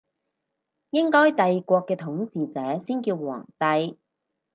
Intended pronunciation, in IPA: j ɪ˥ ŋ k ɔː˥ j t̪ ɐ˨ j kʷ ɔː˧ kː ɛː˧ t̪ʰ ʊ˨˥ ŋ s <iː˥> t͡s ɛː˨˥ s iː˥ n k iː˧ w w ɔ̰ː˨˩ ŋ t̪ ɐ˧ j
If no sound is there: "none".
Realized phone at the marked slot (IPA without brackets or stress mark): iː˨